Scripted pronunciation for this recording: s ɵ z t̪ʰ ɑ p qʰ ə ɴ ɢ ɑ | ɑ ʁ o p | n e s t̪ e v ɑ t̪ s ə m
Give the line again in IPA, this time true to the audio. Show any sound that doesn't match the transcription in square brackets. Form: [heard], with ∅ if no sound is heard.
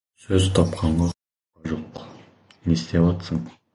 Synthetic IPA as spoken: s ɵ z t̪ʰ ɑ p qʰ [ɑ] ɴ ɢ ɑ | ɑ [ʒ] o [q] | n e s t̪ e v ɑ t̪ s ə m

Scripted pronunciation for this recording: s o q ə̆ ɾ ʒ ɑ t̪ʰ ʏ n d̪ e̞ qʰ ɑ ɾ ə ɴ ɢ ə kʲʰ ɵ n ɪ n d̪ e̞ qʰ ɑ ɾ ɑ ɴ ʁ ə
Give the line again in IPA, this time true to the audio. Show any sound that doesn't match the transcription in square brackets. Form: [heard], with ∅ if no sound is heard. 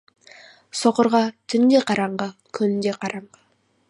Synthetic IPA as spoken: s o q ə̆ ɾ [ʁ] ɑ t̪ʰ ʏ n d̪ e̞ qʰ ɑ ɾ [ɑ] ɴ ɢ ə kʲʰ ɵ n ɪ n d̪ e̞ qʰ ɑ ɾ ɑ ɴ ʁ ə

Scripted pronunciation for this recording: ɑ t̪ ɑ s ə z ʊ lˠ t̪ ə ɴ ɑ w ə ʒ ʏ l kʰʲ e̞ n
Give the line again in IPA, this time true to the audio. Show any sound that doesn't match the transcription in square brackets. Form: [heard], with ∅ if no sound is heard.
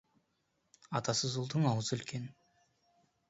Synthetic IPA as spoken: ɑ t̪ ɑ s ə z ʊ lˠ [d̪] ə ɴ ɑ w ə [z] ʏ l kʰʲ e̞ n

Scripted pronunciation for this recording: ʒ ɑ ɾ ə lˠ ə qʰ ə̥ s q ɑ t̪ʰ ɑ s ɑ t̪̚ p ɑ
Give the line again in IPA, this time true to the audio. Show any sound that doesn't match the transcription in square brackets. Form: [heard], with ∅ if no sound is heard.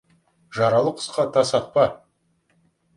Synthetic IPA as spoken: ʒ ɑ ɾ [ɑ] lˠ ə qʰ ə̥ s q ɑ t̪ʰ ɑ s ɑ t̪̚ p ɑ

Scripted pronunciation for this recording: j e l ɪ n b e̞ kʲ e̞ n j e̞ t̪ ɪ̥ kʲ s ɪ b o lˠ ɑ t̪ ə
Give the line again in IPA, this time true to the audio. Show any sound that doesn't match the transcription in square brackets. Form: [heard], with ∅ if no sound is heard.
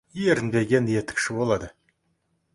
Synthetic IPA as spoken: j e [ɾ] ɪ n b e̞ [ɡʲ] e̞ n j e̞ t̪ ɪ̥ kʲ [ʃ] ɪ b o lˠ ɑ [d̪] ə

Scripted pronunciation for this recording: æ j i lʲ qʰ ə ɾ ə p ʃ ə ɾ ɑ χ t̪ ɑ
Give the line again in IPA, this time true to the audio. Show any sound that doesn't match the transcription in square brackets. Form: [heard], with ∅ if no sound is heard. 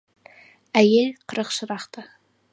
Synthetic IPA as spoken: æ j [e] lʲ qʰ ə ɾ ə [q] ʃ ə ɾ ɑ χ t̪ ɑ

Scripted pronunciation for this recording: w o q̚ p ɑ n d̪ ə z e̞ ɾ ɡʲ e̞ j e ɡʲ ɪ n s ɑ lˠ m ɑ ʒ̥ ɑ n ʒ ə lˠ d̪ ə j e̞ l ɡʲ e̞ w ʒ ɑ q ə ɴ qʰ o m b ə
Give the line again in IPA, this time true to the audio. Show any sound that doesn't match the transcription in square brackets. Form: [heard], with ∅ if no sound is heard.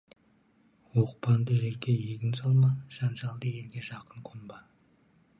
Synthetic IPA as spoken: w o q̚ p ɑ n d̪ ə [ʒ] e̞ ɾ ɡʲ e̞ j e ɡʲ ɪ n s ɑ lˠ m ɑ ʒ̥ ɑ n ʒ [ɑ] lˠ d̪ ə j e̞ l ɡʲ e̞ [∅] ʒ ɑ q ə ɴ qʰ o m b [ɑ]

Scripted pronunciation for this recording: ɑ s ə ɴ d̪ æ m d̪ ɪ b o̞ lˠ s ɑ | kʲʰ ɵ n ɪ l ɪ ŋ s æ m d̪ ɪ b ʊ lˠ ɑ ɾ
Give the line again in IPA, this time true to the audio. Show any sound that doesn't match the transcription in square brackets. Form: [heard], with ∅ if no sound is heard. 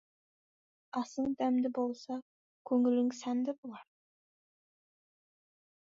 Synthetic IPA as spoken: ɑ s ə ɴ d̪ æ m d̪ ɪ b o̞ lˠ s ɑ | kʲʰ ɵ [ŋ] ɪ l ɪ ŋ s æ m d̪ ɪ b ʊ lˠ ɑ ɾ

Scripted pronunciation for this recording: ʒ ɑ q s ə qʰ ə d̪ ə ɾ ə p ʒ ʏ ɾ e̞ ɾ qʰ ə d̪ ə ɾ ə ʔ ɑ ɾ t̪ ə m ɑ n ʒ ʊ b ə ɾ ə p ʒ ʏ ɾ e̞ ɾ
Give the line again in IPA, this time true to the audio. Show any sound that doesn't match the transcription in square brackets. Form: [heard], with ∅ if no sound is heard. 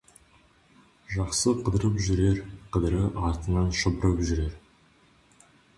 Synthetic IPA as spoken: ʒ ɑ q s ə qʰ ə d̪ ə ɾ ə p ʒ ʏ ɾ e̞ ɾ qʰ ə d̪ ə ɾ ə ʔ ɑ ɾ t̪ ə [n] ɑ n [ʃ] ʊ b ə ɾ ə p ʒ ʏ ɾ e̞ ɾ

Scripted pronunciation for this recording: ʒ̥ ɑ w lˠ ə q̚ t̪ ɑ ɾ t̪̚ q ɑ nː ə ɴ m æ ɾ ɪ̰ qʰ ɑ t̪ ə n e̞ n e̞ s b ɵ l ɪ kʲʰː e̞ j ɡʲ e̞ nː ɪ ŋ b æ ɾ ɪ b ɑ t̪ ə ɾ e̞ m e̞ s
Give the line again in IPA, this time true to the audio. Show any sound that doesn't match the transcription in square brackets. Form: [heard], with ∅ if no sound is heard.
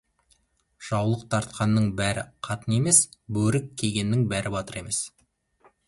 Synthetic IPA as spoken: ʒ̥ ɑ w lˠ ə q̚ [t̪ʰ] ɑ ɾ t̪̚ q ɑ nː ə ɴ [b] æ ɾ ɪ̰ qʰ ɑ t̪ ə n e̞ [m] e̞ s b ɵ [ɾ] ɪ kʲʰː e̞ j ɡʲ e̞ nː ɪ ŋ b æ ɾ ɪ b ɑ t̪ ə ɾ e̞ m e̞ s

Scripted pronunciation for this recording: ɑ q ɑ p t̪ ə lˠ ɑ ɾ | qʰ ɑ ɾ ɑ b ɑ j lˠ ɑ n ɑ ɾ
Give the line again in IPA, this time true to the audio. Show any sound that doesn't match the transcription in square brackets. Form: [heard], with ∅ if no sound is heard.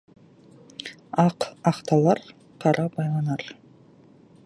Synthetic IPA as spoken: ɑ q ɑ [q] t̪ [ɑ] lˠ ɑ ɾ | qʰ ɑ ɾ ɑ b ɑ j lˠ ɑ n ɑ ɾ

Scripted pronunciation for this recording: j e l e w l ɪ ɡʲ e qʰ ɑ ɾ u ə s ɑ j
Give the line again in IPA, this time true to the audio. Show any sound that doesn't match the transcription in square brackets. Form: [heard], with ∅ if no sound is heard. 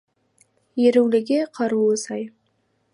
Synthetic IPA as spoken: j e [ɾ] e w l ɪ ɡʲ e qʰ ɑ ɾ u ə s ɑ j

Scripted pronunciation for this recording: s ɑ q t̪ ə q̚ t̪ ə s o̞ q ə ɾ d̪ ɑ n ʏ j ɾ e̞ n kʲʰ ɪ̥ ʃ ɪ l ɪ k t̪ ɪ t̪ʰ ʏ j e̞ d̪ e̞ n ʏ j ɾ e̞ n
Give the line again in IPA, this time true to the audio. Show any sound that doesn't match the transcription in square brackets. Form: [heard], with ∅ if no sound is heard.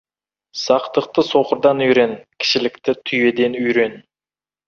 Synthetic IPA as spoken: s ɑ q t̪ ə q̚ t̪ ə s o̞ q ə ɾ d̪ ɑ n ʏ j ɾ e̞ n kʲʰ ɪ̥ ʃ ɪ l ɪ k t̪ ɪ t̪ʰ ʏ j e̞ d̪ e̞ n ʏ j ɾ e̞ n

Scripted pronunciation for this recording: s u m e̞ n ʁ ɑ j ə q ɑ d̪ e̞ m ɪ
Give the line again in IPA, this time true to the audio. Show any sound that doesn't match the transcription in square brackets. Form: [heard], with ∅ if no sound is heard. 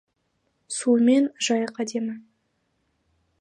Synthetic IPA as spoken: s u m e̞ n [ʒ] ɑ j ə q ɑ d̪ e̞ m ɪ

